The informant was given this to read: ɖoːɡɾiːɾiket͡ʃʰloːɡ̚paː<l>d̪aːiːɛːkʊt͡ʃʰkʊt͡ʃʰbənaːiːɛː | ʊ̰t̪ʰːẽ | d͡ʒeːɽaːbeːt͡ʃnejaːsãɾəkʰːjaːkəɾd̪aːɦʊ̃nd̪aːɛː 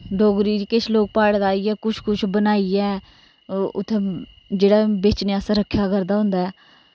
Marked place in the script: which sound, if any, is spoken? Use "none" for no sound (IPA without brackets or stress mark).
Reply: ɽ